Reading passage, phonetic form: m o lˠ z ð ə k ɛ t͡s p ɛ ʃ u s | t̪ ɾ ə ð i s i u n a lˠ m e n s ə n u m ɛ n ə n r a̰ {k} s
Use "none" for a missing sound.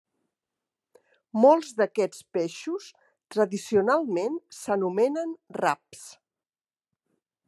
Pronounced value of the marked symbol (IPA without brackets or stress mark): p